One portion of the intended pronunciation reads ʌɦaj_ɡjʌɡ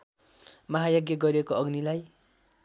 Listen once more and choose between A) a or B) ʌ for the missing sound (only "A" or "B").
B